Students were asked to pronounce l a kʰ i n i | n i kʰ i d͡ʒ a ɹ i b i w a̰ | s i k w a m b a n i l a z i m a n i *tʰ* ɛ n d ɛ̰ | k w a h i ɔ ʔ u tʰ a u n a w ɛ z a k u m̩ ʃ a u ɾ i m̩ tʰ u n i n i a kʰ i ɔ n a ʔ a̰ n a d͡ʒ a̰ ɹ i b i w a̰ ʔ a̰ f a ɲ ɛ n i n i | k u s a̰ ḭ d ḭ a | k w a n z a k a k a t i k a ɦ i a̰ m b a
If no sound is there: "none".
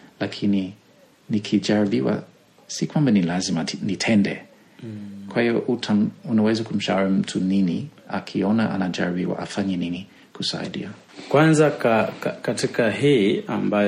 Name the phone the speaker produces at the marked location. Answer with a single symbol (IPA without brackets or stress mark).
tʰ